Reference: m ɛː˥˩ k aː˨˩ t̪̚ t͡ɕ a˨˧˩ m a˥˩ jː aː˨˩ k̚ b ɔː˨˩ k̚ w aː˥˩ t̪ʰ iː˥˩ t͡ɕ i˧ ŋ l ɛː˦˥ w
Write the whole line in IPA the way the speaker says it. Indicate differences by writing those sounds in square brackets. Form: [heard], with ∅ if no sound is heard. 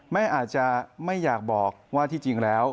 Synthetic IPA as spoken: m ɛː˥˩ [ʔ] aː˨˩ t̪̚ t͡ɕ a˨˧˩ m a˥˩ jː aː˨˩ k̚ b ɔː˨˩ k̚ w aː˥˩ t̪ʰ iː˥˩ t͡ɕ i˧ ŋ l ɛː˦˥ w